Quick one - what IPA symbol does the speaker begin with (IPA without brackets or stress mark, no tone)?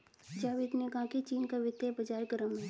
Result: d͡ʒ